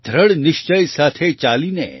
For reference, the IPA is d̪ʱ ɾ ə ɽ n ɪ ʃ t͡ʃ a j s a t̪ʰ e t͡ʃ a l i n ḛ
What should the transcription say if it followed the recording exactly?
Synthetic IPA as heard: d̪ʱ ɾ ə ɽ n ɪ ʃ t͡ʃ ə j s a t̪ʰ e t͡ʃ a l i n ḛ